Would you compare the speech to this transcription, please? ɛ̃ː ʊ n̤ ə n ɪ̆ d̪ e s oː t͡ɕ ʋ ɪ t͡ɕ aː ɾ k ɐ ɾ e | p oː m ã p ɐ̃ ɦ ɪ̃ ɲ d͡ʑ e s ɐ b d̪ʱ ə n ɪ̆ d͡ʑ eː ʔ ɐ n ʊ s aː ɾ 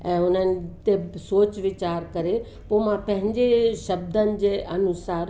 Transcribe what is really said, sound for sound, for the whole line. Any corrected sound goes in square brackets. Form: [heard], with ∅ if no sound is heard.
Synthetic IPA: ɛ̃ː ʊ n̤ ə n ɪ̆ [t̪] e s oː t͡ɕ ʋ ɪ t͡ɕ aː ɾ k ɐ ɾ e | p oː m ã p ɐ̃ ɦ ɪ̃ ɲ d͡ʑ e [ʃ] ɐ b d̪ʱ ə n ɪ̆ d͡ʑ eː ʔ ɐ n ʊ s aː ɾ